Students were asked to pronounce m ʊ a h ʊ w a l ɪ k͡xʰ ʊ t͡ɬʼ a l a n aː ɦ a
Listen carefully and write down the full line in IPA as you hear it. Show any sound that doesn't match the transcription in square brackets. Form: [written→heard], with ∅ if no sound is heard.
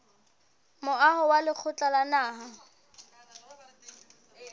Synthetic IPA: m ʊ a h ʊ w a l ɪ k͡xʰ ʊ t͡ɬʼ a l a n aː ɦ a